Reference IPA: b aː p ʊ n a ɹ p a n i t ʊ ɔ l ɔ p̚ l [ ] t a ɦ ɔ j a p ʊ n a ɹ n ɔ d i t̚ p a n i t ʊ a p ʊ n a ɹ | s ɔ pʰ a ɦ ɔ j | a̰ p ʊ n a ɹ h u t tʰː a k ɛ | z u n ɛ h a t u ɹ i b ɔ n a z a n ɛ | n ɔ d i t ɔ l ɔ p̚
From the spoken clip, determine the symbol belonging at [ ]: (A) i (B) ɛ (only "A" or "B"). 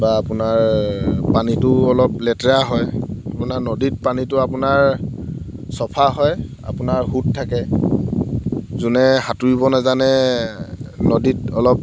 B